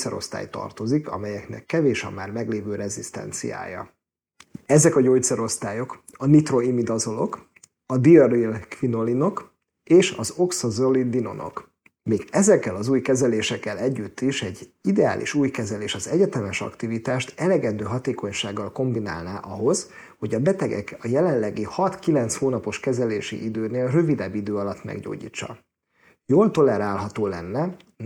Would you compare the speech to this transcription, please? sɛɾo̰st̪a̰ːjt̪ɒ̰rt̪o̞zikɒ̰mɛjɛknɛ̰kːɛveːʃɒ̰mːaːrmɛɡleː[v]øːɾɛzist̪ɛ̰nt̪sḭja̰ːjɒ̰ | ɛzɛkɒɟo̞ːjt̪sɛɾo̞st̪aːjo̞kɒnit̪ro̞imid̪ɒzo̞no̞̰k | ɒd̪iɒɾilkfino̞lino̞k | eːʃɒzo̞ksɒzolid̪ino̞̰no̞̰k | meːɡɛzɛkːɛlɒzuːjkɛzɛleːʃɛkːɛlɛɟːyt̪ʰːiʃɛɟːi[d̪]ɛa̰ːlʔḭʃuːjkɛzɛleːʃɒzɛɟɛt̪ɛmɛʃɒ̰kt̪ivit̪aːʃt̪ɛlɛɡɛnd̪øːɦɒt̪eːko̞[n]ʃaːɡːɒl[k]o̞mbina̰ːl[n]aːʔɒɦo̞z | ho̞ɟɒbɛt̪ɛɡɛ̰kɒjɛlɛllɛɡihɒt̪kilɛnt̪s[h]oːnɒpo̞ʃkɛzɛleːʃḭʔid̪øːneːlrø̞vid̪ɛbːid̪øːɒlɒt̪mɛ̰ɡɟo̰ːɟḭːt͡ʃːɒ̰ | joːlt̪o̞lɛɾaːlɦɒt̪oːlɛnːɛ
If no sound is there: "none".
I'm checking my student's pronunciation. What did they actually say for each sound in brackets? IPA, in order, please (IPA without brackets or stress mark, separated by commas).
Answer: v, d̪, ɲ, k, n, h